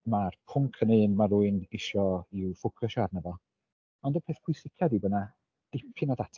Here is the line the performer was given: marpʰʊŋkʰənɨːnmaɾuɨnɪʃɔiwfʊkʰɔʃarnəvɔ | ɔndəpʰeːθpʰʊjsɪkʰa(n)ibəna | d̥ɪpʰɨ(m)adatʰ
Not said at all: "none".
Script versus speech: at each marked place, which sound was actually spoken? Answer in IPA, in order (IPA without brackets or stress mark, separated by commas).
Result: d, n